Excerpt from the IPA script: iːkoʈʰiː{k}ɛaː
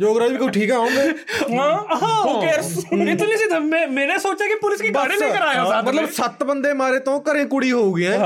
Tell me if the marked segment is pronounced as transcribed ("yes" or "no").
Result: yes